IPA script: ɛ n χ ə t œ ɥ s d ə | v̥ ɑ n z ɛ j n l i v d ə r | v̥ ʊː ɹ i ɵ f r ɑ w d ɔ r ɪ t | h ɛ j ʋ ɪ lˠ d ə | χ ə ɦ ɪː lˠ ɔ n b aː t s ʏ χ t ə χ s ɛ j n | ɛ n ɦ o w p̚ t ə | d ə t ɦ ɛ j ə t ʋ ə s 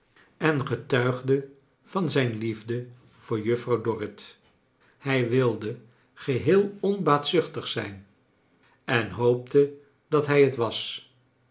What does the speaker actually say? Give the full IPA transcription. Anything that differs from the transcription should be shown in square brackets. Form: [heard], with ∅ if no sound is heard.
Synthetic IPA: ɛ n χ ə t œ ɥ [χ] d ə | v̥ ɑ n z ɛ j n l i v d ə [∅] | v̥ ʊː ɹ [j] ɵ f r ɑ w d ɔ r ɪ t | h ɛ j ʋ ɪ lˠ d ə | χ ə ɦ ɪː lˠ ɔ n b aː t s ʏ χ t ə χ s ɛ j n | ɛ n ɦ o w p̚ t ə | d [ɑ] t ɦ ɛ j ə t ʋ [ɑ] s